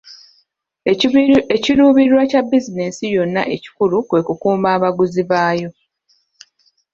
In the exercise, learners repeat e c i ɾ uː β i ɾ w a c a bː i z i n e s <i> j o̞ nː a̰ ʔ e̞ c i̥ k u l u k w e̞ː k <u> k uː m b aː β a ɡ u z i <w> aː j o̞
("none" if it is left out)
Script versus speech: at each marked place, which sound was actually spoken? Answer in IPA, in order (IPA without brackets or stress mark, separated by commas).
i, u, β